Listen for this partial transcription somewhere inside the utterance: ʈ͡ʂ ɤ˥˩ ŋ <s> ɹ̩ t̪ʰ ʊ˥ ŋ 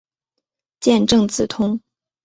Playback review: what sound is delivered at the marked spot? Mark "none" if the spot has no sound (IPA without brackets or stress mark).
t͡s